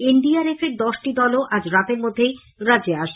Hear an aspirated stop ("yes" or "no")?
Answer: no